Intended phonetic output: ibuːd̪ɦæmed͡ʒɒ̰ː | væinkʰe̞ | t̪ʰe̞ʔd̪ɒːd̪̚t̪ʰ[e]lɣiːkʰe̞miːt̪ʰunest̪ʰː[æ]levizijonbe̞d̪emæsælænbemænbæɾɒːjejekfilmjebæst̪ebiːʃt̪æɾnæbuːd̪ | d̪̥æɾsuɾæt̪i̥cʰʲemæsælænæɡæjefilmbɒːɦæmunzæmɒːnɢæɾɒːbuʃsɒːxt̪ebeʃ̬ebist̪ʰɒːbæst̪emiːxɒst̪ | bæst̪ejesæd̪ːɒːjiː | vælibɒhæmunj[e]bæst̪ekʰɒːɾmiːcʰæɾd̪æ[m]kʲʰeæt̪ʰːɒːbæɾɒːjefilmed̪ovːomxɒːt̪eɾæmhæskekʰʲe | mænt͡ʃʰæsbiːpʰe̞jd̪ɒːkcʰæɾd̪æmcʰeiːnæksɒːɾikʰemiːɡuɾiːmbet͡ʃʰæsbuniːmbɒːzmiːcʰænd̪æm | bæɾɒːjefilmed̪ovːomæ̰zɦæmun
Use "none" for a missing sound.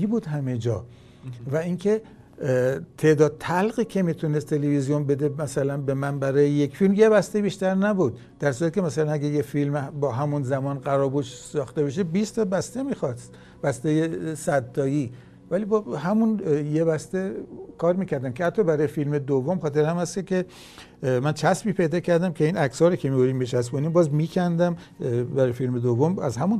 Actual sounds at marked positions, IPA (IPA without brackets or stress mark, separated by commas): æ, e, e, m